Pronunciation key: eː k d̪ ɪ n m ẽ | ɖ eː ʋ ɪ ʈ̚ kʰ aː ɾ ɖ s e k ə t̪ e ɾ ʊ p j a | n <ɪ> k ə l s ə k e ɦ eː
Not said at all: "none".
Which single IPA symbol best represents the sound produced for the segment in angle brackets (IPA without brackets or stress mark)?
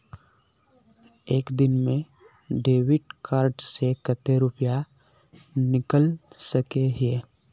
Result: ɪ